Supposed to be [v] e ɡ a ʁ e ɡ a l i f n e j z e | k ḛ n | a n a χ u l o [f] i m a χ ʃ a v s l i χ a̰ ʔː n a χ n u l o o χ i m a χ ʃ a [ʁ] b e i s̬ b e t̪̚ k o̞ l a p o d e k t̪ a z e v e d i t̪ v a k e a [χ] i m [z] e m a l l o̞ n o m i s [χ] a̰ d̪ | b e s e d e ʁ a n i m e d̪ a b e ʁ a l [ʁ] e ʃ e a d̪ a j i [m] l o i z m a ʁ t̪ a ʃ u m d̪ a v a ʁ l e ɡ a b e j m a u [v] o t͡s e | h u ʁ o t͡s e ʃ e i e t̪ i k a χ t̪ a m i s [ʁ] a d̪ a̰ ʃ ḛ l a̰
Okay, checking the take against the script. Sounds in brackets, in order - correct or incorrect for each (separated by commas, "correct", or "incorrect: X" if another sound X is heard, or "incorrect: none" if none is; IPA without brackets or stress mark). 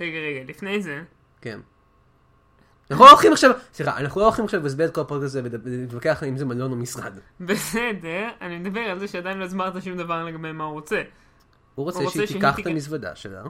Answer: incorrect: ʁ, incorrect: χ, incorrect: v, correct, correct, incorrect: ʁ, incorrect: z, incorrect: n, incorrect: ʁ, incorrect: v